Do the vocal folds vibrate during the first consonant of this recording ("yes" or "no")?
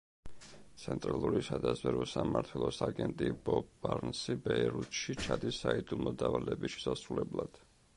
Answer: no